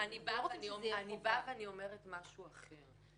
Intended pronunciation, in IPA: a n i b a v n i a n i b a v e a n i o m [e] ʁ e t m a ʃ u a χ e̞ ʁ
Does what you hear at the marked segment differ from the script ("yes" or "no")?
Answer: no